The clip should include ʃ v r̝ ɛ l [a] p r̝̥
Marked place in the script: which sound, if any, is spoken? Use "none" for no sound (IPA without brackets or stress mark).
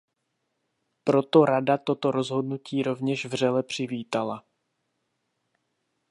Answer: ɛ